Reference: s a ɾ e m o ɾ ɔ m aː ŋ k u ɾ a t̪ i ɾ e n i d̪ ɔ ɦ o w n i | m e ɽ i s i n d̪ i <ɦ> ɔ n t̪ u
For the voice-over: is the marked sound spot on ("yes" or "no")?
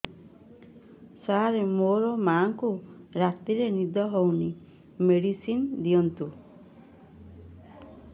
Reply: no